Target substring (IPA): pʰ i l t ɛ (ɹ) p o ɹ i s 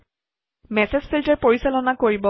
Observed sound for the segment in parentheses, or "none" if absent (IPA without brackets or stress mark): ɹ